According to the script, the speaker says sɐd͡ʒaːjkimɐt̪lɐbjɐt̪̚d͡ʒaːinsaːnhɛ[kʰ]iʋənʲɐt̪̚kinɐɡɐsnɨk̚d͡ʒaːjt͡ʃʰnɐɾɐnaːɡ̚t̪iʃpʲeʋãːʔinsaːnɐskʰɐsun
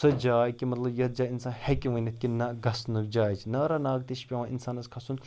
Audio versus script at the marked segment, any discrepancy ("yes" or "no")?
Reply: yes